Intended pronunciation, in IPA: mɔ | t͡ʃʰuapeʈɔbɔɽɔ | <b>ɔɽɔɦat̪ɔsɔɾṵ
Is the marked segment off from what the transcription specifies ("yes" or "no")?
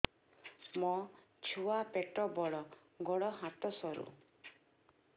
yes